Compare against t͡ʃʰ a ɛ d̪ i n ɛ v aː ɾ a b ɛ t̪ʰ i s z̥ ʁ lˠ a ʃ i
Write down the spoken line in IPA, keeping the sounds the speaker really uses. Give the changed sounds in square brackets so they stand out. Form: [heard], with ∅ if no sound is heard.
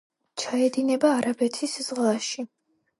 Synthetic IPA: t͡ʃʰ a ɛ d̪ i n ɛ [b] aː ɾ a b ɛ t̪ʰ i s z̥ ʁ lˠ a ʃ i